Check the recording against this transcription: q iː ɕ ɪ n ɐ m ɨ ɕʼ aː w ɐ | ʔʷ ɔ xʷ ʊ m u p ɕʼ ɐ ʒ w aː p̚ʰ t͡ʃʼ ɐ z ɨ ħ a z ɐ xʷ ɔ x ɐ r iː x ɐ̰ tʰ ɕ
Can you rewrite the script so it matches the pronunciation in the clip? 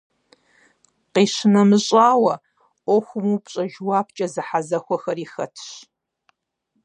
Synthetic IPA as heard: q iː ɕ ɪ n ɐ m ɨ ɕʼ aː w ɐ | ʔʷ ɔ xʷ ʊ m u p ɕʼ ɐ ʒ w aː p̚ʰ t͡ʃʼ ɐ z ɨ ħ a z ɐ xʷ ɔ x ɐ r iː x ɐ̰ tʰ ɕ